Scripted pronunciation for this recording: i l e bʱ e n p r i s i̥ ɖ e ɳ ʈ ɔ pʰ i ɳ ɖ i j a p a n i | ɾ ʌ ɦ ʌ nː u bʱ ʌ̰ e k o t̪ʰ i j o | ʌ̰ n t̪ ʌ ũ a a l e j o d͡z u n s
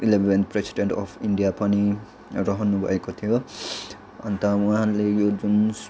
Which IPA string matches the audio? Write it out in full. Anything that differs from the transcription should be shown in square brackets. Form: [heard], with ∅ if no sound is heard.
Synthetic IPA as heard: i l e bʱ e n p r [e] s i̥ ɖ e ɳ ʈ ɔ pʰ i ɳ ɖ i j a p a n i | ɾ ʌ ɦ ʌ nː u bʱ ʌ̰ e k o t̪ʰ i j o | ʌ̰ n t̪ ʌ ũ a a l e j o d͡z u n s

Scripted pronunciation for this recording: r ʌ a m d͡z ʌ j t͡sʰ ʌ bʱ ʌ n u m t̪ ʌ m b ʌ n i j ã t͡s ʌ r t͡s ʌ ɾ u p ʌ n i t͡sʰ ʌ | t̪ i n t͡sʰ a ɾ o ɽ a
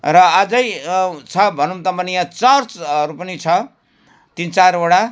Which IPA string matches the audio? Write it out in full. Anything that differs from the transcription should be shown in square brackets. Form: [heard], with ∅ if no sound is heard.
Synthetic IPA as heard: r ʌ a [∅] d͡z ʌ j t͡sʰ ʌ bʱ ʌ n u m t̪ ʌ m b ʌ n i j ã t͡s ʌ r t͡s ʌ ɾ u p ʌ n i t͡sʰ ʌ | t̪ i n [t͡s] a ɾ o ɽ a

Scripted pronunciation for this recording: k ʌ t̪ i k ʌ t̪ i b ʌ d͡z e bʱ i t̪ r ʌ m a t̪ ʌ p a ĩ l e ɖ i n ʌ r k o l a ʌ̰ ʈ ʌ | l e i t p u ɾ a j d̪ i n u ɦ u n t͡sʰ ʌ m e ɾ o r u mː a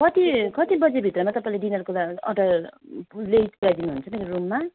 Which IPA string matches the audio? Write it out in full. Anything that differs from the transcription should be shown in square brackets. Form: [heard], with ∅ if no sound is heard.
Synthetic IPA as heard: k ʌ t̪ i k ʌ t̪ i b ʌ d͡z e bʱ i t̪ r ʌ m a t̪ ʌ p a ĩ l e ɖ i n ʌ r k o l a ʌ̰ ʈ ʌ | l e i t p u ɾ a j d̪ i n u ɦ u n t͡sʰ ʌ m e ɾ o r u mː a

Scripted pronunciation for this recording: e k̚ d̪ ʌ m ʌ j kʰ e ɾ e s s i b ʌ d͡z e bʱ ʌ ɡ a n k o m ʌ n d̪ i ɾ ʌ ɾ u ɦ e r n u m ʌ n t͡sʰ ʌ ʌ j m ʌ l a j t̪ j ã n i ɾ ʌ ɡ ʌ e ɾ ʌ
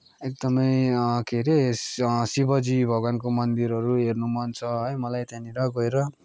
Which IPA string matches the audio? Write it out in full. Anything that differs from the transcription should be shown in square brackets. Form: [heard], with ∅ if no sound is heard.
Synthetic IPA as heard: e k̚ d̪ ʌ m ʌ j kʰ e ɾ e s s i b ʌ d͡z [i] bʱ ʌ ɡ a n k o m ʌ n d̪ i ɾ ʌ ɾ u ɦ e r n u m ʌ n t͡sʰ ʌ ʌ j m ʌ l a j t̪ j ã n i ɾ ʌ ɡ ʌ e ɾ ʌ

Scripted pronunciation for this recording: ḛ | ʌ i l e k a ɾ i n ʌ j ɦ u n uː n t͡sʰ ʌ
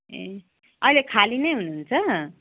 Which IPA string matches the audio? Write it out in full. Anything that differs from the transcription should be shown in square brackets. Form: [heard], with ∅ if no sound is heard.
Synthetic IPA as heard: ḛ | ʌ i l e [kʰ] a [l] i n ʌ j ɦ u n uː n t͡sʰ ʌ

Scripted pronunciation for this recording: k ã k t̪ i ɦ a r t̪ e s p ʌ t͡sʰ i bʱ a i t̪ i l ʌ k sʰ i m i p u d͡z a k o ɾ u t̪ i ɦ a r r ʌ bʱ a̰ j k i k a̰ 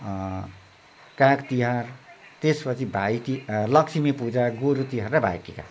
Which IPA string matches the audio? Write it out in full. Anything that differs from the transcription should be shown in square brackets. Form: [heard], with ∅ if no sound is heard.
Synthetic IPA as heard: k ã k t̪ i ɦ a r t̪ e s p ʌ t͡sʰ i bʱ a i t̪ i l ʌ k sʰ i m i p u d͡z a [ɡ] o ɾ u t̪ i ɦ a r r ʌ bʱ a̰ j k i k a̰

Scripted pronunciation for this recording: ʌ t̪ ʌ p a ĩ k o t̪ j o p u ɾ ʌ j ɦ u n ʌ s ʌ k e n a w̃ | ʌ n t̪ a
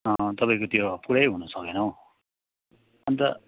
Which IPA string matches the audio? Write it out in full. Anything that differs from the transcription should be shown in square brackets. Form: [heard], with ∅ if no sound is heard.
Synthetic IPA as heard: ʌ t̪ ʌ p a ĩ k o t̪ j o p u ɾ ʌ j ɦ u n ʌ s ʌ k e n [ʌ] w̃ | ʌ n t̪ [ʌ]

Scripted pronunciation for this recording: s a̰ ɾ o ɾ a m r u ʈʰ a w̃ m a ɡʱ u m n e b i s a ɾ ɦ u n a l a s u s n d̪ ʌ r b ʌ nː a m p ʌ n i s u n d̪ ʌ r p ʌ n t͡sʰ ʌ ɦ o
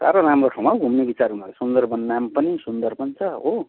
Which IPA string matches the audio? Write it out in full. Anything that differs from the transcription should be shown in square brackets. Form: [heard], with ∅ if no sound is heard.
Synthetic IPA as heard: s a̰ ɾ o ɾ a m r [o] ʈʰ a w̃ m a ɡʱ u m n e b i [t͡s] a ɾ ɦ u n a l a s u [∅] n d̪ ʌ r b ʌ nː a m p ʌ n i s u n d̪ ʌ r p ʌ n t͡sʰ ʌ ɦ o

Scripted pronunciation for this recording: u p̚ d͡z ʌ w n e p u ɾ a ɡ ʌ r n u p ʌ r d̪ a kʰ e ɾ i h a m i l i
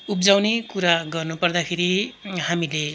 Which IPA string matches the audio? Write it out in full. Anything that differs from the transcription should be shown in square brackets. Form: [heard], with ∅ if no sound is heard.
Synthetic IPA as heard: u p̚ d͡z [a] w n e [k] u ɾ a ɡ ʌ r n u p ʌ r d̪ a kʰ e ɾ i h a m i l [e]

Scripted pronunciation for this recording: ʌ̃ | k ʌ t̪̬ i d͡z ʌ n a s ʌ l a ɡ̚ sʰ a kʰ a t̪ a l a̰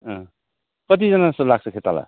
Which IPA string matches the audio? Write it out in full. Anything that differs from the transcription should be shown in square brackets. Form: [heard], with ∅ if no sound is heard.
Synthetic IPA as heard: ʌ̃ | k ʌ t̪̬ i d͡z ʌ n a s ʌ l a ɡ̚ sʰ [ʌ] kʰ [e] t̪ a l a̰

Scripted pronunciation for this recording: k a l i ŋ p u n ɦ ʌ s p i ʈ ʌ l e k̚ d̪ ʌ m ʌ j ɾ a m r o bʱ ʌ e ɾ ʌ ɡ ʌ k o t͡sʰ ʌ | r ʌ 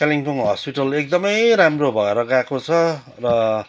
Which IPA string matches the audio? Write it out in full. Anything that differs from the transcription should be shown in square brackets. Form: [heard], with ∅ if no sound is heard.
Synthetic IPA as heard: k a l i ŋ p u [ŋ] ɦ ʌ s p i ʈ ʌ l e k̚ d̪ ʌ m ʌ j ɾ a m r o bʱ ʌ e ɾ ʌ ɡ [a] k o t͡sʰ ʌ | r ʌ

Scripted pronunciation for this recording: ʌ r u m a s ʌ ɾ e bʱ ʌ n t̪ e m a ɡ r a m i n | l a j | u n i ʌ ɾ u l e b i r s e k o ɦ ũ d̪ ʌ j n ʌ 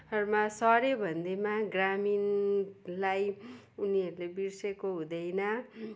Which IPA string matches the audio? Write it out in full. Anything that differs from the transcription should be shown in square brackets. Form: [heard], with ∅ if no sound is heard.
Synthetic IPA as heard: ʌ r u m a s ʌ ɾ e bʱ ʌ n [d̪] e m a ɡ r a m i n | l a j | u n i ʌ ɾ u l e b i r s e k o ɦ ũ d̪ ʌ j n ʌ

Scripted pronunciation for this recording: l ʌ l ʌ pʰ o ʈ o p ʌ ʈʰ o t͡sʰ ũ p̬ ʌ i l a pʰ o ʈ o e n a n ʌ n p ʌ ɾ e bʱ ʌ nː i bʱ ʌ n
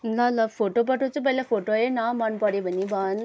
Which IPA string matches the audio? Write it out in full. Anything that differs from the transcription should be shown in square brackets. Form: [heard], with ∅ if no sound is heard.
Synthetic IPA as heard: l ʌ l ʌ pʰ o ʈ o p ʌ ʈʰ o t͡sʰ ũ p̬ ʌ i l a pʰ o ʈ o e n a [m] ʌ n p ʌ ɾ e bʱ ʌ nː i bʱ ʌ n

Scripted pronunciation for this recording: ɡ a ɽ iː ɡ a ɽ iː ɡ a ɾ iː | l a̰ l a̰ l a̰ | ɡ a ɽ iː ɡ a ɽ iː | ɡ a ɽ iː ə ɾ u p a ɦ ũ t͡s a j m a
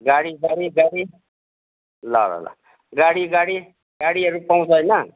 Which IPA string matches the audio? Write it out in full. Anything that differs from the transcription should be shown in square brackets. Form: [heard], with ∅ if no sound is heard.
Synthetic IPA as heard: ɡ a ɽ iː ɡ a ɽ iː ɡ a [ɽ] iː | l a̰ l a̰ l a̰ | ɡ a ɽ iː ɡ a ɽ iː | ɡ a ɽ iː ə ɾ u p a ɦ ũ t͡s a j [n] a

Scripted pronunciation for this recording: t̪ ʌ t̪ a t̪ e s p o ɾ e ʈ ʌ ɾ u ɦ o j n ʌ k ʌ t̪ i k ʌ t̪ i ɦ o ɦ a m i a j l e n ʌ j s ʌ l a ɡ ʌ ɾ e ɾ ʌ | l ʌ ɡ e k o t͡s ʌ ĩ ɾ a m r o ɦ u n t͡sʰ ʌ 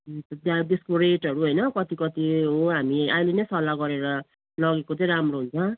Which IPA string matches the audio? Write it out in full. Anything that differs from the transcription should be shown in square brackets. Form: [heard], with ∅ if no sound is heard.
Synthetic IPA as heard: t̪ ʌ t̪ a [d̪] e s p o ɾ e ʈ ʌ ɾ u ɦ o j n ʌ k ʌ t̪ i k ʌ t̪ i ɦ o ɦ a m i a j l e n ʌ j s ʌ l a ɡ ʌ ɾ e ɾ ʌ | l ʌ ɡ e k o t͡s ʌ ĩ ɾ a m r o ɦ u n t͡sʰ ʌ

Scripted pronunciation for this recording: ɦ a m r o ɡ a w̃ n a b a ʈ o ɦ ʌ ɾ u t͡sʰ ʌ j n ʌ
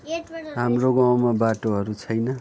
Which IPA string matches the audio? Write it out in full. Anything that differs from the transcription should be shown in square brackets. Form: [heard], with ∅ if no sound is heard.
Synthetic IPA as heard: ɦ a m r o ɡ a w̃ [m] a b a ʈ o ɦ ʌ ɾ u t͡sʰ ʌ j n ʌ

